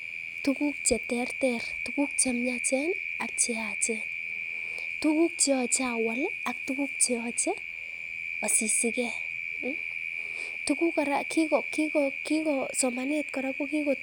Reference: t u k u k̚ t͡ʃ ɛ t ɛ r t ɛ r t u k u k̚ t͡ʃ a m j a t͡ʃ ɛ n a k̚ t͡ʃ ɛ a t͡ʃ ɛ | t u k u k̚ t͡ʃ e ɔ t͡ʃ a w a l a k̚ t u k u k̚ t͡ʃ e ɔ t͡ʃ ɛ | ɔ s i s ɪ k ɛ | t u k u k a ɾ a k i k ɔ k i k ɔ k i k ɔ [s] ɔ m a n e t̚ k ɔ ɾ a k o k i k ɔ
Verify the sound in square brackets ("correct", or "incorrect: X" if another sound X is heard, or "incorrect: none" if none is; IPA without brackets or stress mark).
correct